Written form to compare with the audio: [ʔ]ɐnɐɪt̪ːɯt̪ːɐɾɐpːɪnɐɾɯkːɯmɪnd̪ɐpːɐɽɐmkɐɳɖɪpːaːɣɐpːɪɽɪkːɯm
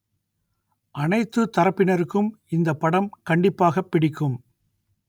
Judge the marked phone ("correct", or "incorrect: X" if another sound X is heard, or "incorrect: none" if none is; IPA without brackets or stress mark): correct